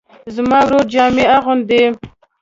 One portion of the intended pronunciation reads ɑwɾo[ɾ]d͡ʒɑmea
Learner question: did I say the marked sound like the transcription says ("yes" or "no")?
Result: yes